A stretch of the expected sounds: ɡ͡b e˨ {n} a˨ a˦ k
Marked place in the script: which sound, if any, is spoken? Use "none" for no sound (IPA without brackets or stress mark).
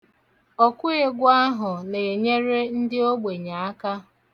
ɲ